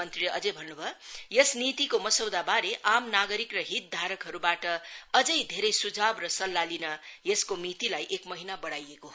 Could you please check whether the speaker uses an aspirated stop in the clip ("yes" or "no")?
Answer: no